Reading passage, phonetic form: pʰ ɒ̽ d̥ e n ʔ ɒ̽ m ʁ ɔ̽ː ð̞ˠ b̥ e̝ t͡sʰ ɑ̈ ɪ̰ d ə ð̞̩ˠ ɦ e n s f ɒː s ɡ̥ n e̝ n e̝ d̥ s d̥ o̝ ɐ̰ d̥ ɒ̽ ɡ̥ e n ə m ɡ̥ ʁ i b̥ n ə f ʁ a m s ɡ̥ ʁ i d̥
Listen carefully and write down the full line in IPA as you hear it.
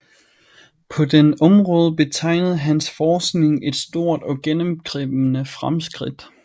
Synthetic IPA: pʰ ɒ̽ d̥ e n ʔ ɒ̽ m ʁ ɔ̽ː ð̞ˠ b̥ e̝ t͡sʰ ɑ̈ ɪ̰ n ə ð̞̩ˠ ɦ æ n s f ɒː s ɡ̥ n e̝ ŋ e̝ d̥ s d̥ o̝ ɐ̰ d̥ ɒ̽ ɡ̥ e n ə m ɡ̥ ʁ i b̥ n ə f ʁ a m s ɡ̥ ʁ i d̥